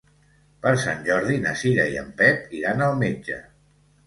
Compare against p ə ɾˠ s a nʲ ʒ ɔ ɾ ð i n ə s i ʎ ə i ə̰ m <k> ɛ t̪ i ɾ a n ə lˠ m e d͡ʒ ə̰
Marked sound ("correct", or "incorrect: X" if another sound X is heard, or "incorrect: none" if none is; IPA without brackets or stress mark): incorrect: p